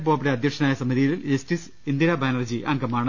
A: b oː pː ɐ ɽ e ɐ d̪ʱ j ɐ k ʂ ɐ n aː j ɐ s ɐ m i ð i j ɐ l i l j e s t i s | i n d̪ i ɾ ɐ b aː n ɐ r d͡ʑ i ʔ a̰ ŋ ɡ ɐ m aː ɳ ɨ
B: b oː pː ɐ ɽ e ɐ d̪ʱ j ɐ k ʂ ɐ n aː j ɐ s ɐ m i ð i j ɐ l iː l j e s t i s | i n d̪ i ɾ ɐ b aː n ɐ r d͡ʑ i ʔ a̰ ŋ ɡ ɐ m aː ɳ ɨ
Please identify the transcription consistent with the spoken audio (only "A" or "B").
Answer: A